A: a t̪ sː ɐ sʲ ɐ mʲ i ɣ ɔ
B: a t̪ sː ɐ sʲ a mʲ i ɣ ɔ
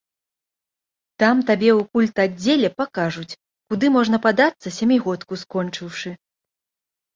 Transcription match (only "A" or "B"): B